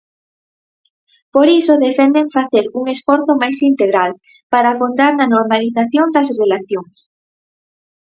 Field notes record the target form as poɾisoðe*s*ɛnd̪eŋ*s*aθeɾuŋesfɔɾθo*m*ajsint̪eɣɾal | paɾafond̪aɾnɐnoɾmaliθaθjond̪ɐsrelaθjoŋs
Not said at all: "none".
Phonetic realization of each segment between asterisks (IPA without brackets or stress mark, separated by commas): f, f, m